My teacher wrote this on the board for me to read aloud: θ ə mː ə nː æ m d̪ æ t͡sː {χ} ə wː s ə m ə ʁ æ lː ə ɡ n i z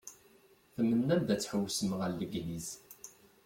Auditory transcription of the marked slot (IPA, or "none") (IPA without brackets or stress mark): ħ